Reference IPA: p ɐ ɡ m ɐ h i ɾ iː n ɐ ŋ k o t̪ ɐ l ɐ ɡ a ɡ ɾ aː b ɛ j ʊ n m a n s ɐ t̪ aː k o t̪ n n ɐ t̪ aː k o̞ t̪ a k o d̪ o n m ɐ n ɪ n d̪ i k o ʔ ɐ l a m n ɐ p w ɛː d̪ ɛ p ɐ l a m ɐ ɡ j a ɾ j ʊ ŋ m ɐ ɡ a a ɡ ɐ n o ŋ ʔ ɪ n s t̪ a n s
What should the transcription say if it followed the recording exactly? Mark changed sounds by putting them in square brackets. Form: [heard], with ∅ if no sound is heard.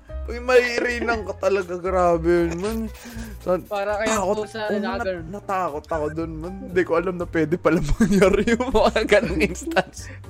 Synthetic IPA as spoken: p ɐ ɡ m ɐ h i ɾ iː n ɐ ŋ k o t̪ ɐ l ɐ ɡ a ɡ ɾ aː b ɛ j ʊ n m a n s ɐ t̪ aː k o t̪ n n ɐ t̪ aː k o̞ t̪ [ɐ] k o d̪ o n m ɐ n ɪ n d̪ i k o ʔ ɐ l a m n ɐ p w ɛː d̪ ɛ p ɐ l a m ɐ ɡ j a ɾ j ʊ ŋ m ɐ [ŋ] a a ɡ ɐ n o ŋ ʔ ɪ n s t̪ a n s